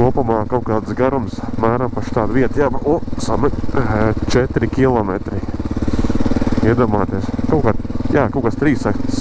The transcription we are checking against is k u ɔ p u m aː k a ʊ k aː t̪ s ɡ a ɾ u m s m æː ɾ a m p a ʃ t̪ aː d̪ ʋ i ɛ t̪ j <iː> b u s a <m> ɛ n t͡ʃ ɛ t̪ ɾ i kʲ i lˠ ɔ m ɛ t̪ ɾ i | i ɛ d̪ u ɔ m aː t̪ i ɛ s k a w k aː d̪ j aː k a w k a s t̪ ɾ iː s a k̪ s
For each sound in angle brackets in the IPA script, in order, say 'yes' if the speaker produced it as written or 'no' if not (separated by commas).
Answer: no, yes